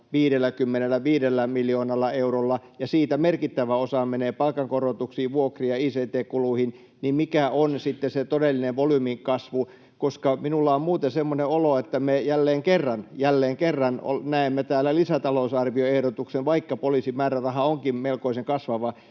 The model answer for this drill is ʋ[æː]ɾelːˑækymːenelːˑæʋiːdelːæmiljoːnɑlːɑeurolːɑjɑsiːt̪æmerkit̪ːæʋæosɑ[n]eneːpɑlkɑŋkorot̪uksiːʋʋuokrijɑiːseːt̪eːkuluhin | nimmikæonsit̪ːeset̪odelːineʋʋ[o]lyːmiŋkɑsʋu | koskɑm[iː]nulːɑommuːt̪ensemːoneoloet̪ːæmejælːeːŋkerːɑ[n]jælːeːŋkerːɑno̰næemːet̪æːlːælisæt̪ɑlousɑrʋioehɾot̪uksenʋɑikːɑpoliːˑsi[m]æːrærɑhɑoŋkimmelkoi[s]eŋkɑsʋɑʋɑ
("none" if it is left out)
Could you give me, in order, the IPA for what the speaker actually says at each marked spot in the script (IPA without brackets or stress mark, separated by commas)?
iː, m, o, i, n, m, s